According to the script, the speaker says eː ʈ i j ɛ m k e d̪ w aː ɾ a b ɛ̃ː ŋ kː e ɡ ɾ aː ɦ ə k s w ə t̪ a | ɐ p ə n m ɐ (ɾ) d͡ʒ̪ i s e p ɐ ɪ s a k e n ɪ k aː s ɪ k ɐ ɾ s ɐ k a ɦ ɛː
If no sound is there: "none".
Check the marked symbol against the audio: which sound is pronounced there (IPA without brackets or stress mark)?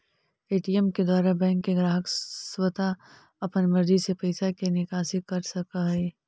ɾ